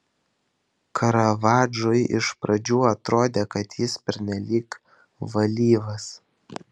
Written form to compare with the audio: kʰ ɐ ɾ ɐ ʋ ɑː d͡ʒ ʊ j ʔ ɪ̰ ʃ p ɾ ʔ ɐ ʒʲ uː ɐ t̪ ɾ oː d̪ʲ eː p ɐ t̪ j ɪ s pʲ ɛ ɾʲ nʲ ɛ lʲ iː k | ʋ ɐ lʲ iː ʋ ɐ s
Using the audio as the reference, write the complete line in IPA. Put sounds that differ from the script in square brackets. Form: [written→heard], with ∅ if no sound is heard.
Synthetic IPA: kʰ ɐ ɾ ɐ ʋ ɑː d͡ʒ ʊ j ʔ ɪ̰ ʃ p ɾ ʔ ɐ [ʒʲ→d͡ʒʲ] uː ɐ t̪ ɾ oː d̪ʲ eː [p→k] ɐ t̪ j ɪ s pʲ ɛ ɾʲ nʲ ɛ lʲ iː k | ʋ ɐ lʲ iː ʋ ɐ s